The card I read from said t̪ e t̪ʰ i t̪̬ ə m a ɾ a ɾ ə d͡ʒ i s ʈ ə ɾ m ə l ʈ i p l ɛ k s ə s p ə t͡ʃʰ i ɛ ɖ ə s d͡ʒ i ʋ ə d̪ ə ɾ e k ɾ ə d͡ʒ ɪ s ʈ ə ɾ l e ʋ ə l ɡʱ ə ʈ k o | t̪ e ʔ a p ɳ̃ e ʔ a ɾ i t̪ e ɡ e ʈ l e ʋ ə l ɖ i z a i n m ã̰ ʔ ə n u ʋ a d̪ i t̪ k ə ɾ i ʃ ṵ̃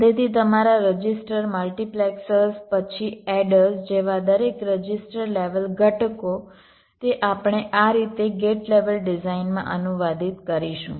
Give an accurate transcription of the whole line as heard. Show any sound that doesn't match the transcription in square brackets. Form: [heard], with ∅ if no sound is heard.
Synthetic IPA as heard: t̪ e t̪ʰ i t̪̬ ə m a ɾ a ɾ ə d͡ʒ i s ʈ ə ɾ m ə l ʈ i p l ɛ k s ə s p ə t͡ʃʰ i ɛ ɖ ə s d͡ʒ [e] ʋ [a] d̪ ə ɾ e k ɾ ə d͡ʒ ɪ s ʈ ə ɾ l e ʋ ə l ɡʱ ə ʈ k o | t̪ e ʔ a p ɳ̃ e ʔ a ɾ i t̪ e ɡ e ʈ l e ʋ ə l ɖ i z a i n m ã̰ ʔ ə n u ʋ a d̪ i t̪ k ə ɾ i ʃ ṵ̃